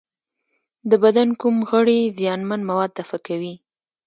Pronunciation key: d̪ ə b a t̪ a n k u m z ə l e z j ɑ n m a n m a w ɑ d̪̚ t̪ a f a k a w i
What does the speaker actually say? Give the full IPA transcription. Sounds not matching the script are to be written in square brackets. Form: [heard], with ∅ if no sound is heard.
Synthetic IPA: d̪ ə b a [d̪] a n k u m [ɣ] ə [ɽ] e z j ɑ n m a n m a w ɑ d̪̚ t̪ a f a k a w i